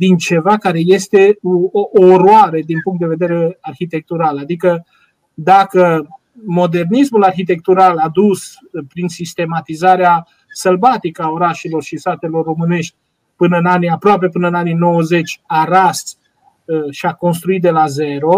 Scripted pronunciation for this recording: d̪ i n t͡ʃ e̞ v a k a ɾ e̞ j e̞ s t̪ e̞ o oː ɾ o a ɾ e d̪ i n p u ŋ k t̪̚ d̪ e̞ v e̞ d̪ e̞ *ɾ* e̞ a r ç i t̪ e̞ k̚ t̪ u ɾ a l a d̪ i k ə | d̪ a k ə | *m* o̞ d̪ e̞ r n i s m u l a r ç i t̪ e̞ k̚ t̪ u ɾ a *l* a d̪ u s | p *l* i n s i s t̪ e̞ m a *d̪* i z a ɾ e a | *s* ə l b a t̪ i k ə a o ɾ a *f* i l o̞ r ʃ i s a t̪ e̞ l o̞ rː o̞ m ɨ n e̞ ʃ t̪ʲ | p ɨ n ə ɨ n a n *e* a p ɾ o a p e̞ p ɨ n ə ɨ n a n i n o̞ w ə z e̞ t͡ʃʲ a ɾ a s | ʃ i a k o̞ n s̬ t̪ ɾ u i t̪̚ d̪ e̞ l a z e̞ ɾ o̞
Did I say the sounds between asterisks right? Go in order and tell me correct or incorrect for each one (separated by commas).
correct, correct, correct, incorrect, incorrect, correct, incorrect, incorrect